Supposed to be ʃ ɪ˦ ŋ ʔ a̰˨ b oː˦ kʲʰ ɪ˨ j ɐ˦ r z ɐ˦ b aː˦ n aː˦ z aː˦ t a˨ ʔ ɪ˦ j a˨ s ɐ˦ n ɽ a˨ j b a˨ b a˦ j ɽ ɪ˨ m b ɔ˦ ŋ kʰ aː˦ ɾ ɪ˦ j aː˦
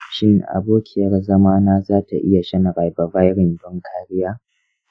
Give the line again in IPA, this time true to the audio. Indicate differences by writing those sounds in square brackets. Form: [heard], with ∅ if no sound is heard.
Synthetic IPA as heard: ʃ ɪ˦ ŋ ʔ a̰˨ b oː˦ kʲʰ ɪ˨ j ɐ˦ r z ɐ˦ [m] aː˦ n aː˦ z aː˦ t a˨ ʔ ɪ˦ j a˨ [ʃ] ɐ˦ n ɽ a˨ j b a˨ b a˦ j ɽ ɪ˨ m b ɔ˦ ŋ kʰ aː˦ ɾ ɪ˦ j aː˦

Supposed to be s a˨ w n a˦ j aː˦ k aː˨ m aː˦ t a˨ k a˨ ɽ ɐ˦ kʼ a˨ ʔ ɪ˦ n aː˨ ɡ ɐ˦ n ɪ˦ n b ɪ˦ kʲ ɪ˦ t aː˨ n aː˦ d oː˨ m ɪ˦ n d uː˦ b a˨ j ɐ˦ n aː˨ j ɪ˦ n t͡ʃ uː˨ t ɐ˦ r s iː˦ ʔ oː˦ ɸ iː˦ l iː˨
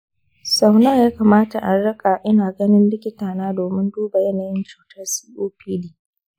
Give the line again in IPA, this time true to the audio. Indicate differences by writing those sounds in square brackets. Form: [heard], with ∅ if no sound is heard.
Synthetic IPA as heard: s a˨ w n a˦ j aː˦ k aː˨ m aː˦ t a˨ [ʔ] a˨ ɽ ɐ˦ kʼ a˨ ʔ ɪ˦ n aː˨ ɡ ɐ˦ n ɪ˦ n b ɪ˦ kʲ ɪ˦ t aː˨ n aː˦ d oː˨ m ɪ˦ n d uː˦ b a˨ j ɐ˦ n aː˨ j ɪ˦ n t͡ʃ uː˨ t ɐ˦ r s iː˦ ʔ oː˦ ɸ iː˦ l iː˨

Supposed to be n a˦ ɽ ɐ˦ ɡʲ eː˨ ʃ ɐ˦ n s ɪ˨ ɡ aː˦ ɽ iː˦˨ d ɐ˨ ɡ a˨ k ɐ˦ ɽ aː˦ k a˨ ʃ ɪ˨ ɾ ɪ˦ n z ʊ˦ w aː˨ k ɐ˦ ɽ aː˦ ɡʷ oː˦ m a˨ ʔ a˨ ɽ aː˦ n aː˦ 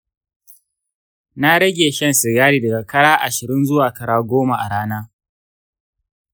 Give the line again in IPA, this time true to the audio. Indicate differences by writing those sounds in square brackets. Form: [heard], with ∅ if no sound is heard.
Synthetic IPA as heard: n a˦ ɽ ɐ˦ ɡʲ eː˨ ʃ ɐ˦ n s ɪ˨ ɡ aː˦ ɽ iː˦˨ d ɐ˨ ɡ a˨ k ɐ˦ ɽ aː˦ [ʔ] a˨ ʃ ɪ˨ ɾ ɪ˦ n z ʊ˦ w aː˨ k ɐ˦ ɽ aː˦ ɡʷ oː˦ m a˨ ʔ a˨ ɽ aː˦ n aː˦

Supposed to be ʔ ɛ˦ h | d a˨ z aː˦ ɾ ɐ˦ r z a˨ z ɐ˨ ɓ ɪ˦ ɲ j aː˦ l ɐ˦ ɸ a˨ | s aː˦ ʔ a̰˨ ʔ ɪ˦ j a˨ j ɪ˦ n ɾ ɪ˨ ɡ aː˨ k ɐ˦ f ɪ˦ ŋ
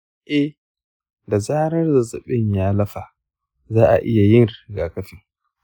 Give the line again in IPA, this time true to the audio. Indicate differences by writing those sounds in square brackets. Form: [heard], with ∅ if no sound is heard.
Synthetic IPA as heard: ʔ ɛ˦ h | d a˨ z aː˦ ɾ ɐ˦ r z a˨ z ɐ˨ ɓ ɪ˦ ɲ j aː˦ l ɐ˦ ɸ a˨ | [z] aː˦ ʔ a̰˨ ʔ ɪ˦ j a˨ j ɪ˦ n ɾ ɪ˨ ɡ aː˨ k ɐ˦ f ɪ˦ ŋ

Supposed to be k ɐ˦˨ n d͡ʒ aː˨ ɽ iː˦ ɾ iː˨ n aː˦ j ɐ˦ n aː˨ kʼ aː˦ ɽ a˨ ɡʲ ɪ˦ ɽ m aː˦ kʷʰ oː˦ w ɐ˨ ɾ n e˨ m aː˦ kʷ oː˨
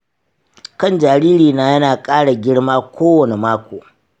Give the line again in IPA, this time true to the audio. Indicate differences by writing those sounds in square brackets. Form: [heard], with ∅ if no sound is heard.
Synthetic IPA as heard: k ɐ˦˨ n d͡ʒ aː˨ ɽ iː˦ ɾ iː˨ n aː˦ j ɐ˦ n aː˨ kʼ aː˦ ɽ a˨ ɡʲ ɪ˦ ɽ m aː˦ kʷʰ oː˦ w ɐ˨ [∅] n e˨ m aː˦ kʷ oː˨

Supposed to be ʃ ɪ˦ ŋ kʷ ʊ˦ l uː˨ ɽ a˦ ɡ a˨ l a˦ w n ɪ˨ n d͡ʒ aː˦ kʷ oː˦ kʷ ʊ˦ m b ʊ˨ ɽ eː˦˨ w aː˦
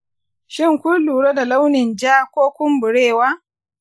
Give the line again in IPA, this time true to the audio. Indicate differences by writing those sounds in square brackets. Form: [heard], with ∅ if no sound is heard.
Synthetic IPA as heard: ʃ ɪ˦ ŋ kʷ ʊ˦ l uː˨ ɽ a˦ [d] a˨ l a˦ w n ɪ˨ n d͡ʒ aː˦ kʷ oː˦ kʷ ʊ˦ m b ʊ˨ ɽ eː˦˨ w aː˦

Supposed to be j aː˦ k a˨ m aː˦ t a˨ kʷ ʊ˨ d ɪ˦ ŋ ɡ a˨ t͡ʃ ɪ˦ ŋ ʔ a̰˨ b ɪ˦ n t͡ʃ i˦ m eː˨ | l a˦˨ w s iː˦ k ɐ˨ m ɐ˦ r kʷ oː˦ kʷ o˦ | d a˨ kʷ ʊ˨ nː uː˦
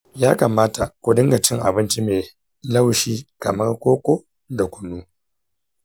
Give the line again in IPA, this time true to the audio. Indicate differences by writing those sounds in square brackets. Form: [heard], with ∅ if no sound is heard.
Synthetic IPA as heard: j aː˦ k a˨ m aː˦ t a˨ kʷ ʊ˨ d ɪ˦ ŋ ɡ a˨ t͡ʃ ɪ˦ ŋ ʔ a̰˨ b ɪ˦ n t͡ʃ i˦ m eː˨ | l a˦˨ w [ʃ] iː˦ k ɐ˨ m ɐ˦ r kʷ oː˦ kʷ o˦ | d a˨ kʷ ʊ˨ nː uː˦

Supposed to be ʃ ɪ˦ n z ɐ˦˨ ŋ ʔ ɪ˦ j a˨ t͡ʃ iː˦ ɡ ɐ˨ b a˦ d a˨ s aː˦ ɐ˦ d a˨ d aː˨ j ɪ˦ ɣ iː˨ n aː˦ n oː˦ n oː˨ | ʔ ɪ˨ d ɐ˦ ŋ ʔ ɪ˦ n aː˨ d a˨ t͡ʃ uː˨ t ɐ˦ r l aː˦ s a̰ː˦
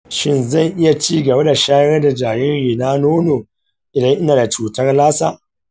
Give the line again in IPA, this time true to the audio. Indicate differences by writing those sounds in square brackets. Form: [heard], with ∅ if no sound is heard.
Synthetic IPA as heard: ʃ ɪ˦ n z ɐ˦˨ ŋ ʔ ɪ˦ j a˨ t͡ʃ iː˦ ɡ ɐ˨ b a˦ d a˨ [ʃ] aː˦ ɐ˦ d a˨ [d͡ʒ] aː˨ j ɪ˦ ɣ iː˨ n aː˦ n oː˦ n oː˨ | ʔ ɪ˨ d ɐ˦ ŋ ʔ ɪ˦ n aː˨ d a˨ t͡ʃ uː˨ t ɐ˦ r l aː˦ s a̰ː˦

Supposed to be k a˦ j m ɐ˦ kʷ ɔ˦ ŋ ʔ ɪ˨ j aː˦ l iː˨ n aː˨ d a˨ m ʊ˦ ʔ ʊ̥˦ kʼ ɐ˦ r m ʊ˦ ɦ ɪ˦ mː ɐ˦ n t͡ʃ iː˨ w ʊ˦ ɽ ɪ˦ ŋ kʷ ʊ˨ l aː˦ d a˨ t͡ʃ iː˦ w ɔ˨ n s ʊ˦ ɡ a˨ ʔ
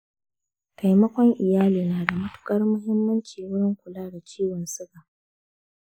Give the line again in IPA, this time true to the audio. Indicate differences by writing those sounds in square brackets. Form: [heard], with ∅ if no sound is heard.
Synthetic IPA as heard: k [a˨] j m ɐ˦ kʷ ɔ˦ ŋ ʔ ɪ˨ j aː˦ l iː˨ n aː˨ d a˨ m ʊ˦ [t] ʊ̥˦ kʼ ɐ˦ r m ʊ˦ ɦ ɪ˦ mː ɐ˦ n t͡ʃ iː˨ w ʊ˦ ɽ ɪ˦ ŋ kʷ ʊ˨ l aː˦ d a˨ t͡ʃ iː˦ w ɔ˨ n s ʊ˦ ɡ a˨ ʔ

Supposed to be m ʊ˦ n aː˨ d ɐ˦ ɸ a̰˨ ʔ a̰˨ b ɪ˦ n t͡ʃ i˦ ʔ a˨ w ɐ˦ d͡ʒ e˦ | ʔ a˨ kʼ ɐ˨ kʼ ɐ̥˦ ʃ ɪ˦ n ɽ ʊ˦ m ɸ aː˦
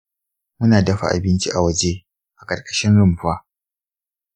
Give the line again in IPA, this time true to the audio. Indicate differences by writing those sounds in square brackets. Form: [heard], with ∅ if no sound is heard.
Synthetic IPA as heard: m ʊ˦ n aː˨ d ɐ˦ ɸ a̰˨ ʔ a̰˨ b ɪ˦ n t͡ʃ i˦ ʔ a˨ w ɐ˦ d͡ʒ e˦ | ʔ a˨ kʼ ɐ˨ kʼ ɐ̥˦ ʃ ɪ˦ n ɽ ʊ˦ m ɸ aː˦

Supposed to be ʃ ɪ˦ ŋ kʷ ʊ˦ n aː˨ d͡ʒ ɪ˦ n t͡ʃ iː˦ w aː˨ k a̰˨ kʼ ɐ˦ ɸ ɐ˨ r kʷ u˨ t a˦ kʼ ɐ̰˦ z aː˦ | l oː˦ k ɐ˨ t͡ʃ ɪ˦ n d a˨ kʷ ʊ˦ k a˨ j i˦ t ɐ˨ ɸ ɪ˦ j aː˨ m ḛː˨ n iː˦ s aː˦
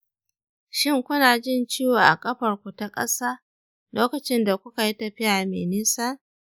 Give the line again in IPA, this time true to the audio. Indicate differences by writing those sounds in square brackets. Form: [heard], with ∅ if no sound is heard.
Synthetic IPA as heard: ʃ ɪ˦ ŋ kʷ ʊ˦ n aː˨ d͡ʒ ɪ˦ n t͡ʃ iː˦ w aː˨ [ʔ] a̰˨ kʼ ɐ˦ ɸ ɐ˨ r kʷ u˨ t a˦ kʼ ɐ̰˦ [s] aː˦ | l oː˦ k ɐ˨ t͡ʃ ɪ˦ n d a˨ kʷ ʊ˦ k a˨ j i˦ t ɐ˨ ɸ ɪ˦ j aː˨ m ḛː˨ n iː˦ s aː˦

